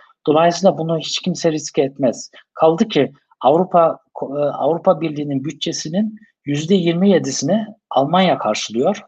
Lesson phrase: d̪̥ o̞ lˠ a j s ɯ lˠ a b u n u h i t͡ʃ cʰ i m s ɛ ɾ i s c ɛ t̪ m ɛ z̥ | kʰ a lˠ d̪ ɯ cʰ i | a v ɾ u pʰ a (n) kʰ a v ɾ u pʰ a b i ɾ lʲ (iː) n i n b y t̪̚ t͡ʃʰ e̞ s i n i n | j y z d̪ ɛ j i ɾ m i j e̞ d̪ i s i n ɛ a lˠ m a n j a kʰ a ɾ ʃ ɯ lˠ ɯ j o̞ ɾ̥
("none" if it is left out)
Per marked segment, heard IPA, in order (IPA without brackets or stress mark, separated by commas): none, iː